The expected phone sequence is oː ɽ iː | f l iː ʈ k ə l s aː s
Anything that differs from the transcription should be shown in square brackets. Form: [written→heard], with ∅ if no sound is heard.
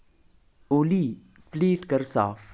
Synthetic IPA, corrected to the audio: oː [ɽ→l] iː | f l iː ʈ k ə [l→ɾ] s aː [s→f]